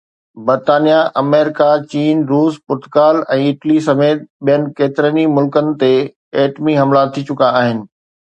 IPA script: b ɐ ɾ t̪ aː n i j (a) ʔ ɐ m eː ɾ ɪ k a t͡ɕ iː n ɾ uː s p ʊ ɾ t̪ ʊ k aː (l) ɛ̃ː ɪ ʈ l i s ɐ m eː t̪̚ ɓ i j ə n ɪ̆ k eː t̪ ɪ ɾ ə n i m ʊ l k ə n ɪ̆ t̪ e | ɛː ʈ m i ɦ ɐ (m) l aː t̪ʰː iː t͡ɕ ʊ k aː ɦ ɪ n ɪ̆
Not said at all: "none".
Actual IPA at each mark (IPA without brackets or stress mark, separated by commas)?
a, l, m